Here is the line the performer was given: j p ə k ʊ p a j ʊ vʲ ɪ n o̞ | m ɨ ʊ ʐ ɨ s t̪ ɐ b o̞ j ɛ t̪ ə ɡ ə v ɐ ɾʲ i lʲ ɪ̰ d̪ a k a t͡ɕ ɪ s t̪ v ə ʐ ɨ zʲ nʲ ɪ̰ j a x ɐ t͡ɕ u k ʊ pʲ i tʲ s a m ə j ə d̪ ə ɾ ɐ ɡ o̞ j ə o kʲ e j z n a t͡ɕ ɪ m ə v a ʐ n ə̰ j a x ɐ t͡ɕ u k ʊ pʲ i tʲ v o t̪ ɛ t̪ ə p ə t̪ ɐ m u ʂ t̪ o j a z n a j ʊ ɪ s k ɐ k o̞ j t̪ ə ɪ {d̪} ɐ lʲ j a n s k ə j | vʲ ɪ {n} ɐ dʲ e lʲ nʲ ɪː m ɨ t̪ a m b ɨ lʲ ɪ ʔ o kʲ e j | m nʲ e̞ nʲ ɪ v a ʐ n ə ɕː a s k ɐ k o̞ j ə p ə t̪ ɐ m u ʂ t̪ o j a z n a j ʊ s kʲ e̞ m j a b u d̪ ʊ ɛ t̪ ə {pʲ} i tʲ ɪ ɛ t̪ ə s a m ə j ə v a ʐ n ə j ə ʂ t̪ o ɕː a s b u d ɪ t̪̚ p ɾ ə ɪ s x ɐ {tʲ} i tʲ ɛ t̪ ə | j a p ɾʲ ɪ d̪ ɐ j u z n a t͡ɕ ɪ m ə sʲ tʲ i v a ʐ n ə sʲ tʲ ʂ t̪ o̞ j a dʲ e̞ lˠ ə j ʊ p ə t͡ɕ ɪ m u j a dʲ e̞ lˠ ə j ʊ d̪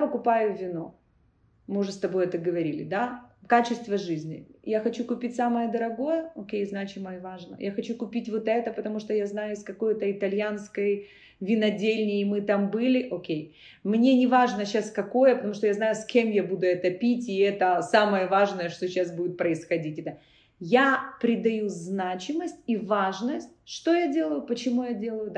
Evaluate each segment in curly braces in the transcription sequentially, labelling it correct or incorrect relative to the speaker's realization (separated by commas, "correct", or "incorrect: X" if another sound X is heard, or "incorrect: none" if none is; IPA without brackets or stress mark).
incorrect: t̪, correct, correct, incorrect: dʲ